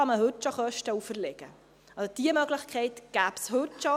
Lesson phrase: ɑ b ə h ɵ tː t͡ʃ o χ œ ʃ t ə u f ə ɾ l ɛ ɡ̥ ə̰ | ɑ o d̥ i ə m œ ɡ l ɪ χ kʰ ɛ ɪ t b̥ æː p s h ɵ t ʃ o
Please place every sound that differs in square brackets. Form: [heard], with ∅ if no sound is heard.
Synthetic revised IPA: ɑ [m] ə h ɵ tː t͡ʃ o χ œ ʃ t ə u f ə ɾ l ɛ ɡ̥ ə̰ | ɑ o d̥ i ə m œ ɡ l ɪ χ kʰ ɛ ɪ t [ɡ̥] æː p s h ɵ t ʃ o